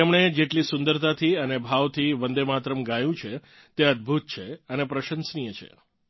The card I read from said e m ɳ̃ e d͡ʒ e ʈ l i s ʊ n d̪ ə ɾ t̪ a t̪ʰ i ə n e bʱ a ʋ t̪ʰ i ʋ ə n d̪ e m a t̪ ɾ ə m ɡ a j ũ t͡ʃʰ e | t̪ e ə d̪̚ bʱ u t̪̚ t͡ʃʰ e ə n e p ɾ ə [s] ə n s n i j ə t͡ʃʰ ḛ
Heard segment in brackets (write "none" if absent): ʃ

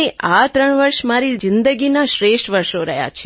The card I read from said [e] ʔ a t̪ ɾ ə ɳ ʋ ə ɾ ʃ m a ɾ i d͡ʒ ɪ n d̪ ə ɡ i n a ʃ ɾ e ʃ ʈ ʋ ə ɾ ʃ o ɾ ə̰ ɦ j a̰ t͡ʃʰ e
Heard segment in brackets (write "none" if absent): e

